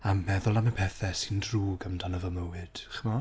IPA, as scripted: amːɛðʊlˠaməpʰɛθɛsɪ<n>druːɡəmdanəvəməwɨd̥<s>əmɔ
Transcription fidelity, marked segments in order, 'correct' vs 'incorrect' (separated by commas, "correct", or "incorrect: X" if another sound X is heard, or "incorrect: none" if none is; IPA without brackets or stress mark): correct, incorrect: χ